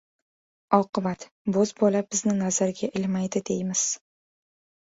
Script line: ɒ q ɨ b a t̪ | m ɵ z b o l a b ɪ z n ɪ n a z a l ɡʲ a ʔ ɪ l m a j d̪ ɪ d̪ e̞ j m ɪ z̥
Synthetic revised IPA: ɒ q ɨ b a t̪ | b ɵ z b ɒ l a b ɪ z n ɪ n a z a ɾ ɡʲ a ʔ ɪ l m a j d̪ ɪ d̪ e̞ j m ɪ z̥